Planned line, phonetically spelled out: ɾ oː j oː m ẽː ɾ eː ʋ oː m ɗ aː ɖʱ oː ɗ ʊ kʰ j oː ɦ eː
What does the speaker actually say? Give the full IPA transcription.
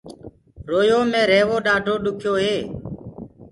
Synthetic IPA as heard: ɾ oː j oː m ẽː ɾ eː ʋ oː ɗ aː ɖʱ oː ɗ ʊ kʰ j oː ɦ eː